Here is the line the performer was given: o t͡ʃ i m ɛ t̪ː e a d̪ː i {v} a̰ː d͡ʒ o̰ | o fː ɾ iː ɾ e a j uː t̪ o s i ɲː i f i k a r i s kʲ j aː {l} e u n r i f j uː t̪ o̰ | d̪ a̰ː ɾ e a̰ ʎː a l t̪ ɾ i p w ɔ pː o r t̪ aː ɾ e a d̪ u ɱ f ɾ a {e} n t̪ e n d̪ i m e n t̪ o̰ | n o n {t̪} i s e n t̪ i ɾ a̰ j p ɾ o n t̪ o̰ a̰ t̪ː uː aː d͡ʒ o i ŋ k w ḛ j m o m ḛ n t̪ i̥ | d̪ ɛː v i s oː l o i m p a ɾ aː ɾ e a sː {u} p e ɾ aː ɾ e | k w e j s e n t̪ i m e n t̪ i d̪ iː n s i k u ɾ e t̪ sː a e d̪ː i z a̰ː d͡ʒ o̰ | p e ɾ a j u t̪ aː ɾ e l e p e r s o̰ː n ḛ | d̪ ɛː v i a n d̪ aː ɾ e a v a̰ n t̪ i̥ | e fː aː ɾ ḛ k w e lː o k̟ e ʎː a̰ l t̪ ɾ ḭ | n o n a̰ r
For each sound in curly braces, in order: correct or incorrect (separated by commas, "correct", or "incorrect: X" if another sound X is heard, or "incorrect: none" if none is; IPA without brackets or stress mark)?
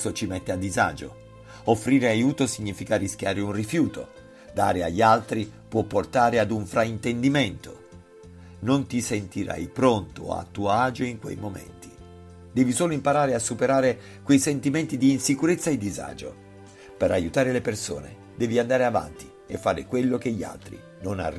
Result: incorrect: z, incorrect: ɾ, incorrect: i, correct, correct